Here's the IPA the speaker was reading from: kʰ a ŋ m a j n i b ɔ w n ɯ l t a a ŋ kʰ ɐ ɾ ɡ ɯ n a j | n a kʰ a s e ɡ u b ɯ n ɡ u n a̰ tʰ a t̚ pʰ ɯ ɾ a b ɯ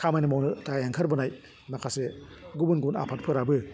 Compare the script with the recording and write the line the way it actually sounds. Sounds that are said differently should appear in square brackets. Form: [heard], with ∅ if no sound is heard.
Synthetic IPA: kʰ a [∅] m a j n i [m] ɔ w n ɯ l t a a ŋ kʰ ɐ ɾ [b] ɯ n a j | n a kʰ a s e ɡ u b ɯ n ɡ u n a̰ [pʰ] a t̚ pʰ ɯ ɾ a b ɯ